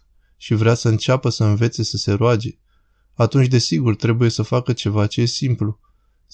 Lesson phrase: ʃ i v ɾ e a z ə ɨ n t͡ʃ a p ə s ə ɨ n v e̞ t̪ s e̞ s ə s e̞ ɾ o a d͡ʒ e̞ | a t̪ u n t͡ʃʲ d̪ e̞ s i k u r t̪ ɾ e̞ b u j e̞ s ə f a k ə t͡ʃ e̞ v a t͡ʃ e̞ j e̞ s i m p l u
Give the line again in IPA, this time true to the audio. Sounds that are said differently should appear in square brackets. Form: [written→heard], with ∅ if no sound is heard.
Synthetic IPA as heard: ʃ i v ɾ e a [z→s] ə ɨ n t͡ʃ a p ə s ə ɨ n v e̞ t̪ s e̞ s ə s e̞ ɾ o a d͡ʒ e̞ | a t̪ u n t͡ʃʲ d̪ e̞ s i [k→ɡ] u r t̪ ɾ e̞ b u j e̞ s ə f a k ə t͡ʃ e̞ v a t͡ʃ e̞ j e̞ s i m p l u